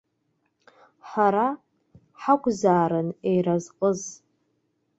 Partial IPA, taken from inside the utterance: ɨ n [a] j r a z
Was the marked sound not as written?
yes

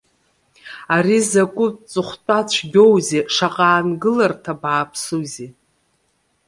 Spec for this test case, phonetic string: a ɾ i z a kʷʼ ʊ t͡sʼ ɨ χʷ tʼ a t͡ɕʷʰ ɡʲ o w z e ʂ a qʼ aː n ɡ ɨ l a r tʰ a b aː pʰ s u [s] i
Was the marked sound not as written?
yes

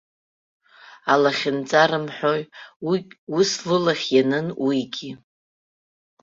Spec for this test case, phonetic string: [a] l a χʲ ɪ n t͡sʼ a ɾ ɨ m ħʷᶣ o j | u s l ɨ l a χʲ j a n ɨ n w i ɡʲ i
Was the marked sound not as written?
no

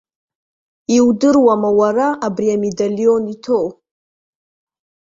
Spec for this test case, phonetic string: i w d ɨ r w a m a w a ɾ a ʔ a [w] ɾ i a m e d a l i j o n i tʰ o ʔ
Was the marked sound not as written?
yes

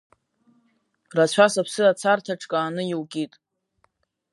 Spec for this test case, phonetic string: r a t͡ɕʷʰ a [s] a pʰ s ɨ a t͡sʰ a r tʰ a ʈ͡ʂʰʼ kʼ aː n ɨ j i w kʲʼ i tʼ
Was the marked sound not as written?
no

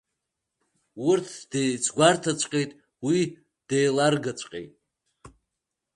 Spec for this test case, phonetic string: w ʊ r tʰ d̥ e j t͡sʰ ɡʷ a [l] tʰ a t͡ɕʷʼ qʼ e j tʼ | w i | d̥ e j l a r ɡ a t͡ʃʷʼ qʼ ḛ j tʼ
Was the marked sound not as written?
yes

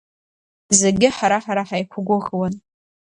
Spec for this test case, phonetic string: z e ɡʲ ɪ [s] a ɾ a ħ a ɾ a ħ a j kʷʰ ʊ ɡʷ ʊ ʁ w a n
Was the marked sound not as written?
yes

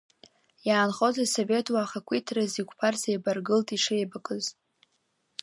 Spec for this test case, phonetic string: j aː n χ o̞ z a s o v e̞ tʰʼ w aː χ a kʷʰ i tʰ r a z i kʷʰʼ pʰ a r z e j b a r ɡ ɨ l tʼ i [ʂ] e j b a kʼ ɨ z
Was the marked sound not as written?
no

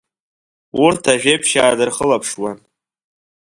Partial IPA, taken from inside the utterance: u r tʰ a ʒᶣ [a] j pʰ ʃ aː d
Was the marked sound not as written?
yes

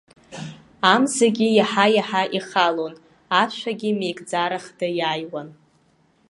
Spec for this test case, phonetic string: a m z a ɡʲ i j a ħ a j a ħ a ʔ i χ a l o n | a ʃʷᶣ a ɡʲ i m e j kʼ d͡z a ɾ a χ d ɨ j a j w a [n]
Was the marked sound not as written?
no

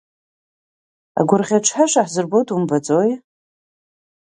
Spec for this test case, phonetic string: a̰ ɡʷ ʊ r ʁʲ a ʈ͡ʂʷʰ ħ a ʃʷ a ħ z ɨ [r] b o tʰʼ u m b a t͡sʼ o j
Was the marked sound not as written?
no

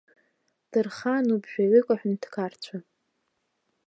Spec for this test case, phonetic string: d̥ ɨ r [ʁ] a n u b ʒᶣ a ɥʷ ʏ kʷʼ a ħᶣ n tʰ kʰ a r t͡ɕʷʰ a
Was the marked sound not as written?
yes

